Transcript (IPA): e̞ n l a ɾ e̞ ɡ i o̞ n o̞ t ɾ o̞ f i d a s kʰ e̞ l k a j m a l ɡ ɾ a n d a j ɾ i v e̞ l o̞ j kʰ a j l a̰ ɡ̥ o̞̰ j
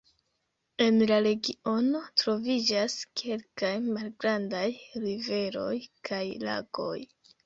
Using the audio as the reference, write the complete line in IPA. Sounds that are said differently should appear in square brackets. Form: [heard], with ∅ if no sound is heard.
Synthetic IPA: e̞ n l a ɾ e̞ ɡ i o̞ n o̞ t ɾ o̞ [v] i [d͡ʒ] a s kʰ e̞ l k a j m a l ɡ ɾ a n d a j ɾ i v e̞ [ɾ] o̞ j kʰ a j l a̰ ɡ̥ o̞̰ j